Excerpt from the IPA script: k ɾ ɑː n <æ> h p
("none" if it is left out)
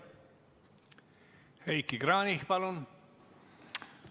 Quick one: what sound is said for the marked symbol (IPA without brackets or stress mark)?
i